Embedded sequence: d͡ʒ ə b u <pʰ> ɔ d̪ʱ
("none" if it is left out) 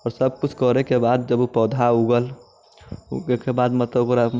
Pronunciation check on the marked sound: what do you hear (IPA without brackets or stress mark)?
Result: p